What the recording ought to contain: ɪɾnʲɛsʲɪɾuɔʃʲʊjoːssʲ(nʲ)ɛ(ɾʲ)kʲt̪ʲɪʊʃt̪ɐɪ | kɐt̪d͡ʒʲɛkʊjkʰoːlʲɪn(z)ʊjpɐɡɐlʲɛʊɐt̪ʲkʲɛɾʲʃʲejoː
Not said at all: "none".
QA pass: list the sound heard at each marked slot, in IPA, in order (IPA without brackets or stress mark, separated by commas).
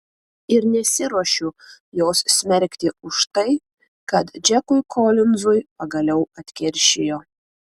mʲ, ɾʲ, z